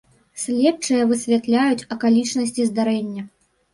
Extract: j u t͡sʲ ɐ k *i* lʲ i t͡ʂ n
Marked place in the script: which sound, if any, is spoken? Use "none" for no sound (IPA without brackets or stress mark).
a